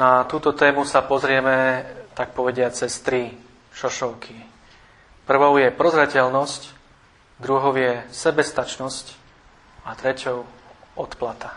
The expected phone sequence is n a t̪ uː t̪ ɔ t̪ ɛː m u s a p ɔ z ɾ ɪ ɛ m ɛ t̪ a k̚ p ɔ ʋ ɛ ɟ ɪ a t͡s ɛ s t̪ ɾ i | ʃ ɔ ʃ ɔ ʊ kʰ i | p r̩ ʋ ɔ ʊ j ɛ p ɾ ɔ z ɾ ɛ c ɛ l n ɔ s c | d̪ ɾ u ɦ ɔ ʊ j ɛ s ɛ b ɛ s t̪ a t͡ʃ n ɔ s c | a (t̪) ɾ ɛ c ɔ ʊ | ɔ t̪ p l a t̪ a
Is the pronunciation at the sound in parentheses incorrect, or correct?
correct